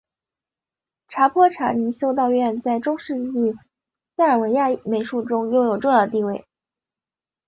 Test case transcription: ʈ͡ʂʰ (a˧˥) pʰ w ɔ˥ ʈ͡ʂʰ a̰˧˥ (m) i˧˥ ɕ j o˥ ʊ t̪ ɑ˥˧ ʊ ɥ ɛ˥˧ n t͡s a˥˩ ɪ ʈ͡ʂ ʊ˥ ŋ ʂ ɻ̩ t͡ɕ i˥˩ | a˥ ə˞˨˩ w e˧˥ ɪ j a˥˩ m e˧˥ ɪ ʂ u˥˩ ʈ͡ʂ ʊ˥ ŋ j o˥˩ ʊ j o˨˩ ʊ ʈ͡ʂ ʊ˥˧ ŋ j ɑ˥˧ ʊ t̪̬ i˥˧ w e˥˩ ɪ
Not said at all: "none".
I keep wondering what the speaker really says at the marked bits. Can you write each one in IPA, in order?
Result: a˧˥, n

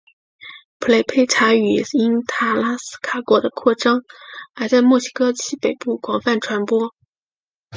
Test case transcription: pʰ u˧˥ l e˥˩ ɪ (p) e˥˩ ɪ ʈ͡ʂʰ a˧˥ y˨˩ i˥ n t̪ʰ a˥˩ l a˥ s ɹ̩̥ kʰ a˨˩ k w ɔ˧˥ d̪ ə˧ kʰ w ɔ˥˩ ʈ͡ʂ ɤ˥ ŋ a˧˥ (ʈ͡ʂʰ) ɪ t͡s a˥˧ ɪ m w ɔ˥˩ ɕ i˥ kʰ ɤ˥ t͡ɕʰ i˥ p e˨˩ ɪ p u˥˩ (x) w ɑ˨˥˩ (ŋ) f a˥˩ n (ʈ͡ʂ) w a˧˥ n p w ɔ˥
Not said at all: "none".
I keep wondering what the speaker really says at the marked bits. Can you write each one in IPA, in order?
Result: pʰ, none, k, ŋ, ʈ͡ʂʰ

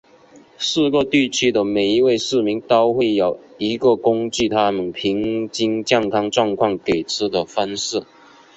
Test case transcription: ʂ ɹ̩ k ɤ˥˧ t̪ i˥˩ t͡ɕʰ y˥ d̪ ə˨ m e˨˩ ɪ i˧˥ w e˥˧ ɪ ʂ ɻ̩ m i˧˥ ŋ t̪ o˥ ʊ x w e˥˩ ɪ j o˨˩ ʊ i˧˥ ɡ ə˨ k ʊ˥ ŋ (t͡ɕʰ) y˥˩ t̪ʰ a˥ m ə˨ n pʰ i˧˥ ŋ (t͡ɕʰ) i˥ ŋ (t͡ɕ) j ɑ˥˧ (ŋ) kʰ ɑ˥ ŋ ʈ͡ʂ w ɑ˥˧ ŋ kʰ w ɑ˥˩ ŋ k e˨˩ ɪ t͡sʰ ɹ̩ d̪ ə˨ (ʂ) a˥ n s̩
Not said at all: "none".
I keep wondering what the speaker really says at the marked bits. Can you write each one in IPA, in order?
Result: t͡ɕ, t͡ɕ, t͡ɕ, ŋ, f

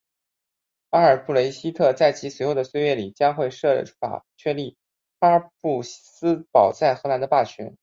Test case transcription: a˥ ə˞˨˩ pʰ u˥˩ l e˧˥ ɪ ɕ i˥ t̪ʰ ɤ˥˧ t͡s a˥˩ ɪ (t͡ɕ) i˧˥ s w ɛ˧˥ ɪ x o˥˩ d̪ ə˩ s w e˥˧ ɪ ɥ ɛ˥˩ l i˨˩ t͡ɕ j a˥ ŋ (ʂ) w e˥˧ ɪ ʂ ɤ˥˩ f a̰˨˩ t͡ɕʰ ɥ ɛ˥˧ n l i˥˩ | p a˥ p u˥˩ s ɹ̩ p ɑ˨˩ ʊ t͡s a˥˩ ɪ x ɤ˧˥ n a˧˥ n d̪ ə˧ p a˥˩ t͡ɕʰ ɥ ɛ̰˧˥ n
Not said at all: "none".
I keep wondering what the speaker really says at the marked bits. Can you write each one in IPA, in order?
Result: t͡ɕʰ, x

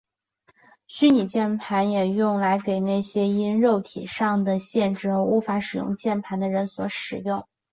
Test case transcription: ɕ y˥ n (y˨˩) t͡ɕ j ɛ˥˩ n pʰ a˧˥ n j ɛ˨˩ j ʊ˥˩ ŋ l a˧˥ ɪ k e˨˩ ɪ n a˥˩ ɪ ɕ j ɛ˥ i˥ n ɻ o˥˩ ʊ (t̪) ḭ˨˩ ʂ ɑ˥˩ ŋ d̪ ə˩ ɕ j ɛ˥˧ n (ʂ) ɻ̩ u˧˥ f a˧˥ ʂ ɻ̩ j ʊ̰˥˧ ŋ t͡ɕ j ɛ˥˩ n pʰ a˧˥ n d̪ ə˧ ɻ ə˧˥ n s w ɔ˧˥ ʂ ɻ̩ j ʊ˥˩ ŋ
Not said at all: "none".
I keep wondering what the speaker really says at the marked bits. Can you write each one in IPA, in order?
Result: i˨˩, t̪ʰ, ʈ͡ʂ

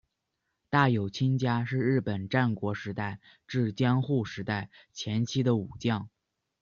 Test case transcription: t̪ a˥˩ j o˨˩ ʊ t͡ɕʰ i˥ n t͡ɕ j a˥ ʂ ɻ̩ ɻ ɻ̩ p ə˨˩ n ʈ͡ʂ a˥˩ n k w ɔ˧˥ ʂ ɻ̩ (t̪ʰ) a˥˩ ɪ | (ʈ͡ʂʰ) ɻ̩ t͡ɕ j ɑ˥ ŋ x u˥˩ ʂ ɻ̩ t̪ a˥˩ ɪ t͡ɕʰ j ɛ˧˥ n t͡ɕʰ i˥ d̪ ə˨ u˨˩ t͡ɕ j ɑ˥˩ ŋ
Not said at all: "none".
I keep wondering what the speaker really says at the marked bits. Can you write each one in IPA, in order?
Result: t̪, ʈ͡ʂ

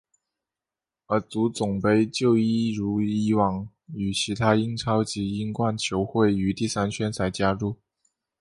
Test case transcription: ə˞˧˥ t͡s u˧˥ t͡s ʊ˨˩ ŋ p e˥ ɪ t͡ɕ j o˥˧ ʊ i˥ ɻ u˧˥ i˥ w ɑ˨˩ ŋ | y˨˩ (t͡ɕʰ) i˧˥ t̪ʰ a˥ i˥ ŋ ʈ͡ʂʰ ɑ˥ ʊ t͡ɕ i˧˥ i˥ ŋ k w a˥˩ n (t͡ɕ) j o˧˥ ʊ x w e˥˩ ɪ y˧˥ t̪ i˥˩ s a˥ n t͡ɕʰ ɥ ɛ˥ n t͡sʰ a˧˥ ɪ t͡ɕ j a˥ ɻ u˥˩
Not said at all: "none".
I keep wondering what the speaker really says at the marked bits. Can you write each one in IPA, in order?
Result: t͡ɕʰ, t͡ɕʰ

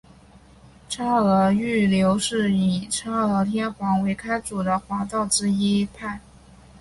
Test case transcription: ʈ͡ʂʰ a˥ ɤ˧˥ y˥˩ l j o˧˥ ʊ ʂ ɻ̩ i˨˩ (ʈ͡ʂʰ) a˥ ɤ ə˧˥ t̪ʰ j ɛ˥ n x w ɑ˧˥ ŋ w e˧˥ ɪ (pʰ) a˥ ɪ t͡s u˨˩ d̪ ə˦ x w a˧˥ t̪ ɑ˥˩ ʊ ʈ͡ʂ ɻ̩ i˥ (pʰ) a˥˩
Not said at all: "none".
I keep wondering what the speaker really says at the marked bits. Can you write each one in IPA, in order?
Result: ʈ͡ʂʰ, kʰ, pʰ

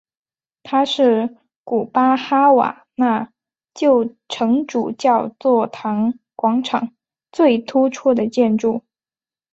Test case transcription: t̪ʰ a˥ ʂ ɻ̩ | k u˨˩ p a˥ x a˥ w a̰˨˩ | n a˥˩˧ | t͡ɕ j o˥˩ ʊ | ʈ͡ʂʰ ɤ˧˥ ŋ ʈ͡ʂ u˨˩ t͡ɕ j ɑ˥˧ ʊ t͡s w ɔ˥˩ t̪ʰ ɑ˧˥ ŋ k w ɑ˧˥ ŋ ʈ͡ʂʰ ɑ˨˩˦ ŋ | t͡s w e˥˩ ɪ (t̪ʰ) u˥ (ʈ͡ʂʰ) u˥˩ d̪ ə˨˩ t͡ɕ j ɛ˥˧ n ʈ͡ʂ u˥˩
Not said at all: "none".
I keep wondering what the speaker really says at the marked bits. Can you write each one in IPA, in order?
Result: t̪ʰ, ʈ͡ʂʰ

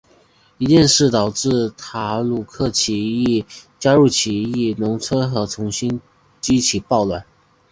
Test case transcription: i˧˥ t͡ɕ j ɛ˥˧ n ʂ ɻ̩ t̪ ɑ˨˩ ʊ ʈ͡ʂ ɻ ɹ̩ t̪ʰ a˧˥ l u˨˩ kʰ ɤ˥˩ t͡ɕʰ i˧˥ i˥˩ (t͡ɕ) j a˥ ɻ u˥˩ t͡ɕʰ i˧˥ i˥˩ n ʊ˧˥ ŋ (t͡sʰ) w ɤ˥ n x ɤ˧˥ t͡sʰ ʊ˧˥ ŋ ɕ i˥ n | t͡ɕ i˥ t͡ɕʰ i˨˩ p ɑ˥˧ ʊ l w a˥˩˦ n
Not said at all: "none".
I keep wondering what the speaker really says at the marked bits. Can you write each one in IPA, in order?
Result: t͡ɕ, t͡sʰ

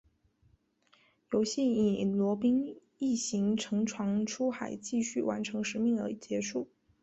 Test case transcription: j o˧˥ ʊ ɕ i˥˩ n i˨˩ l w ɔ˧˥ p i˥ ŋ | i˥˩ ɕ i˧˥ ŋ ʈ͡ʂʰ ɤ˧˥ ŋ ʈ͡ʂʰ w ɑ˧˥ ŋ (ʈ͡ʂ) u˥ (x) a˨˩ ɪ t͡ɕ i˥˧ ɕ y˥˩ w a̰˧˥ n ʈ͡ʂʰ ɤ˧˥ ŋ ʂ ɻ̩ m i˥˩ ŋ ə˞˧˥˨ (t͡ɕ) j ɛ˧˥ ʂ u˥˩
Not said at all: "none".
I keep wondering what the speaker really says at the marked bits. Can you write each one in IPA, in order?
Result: ʈ͡ʂʰ, x, t͡ɕ

